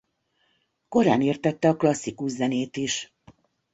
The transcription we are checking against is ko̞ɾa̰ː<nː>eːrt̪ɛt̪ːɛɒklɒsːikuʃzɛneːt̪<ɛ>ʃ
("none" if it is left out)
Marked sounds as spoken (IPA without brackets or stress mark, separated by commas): n, i